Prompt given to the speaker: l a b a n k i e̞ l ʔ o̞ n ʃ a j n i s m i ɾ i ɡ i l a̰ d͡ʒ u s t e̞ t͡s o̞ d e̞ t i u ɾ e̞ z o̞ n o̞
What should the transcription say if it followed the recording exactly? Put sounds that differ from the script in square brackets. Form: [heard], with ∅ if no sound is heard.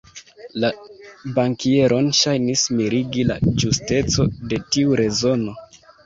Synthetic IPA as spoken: l a b a [ŋ] k i e̞ [ɾ] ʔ o̞ n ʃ a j n i s m i ɾ i ɡ i l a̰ d͡ʒ u s t e̞ t͡s o̞ d e̞ t i u ɾ e̞ z o̞ n o̞